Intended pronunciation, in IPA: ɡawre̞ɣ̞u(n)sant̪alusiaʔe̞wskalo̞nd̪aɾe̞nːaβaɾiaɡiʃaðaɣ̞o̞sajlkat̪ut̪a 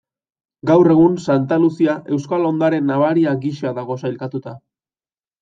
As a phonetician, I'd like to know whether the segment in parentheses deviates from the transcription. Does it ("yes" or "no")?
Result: no